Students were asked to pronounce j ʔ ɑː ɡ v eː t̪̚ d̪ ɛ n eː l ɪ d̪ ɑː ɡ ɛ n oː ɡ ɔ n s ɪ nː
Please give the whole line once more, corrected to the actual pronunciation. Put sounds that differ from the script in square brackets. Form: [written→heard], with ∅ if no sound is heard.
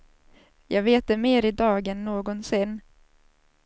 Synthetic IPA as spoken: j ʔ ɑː ɡ v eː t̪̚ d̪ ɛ [n→m] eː [l→ɾ] ɪ d̪ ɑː ɡ ɛ [n→nː] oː ɡ ɔ n s ɪ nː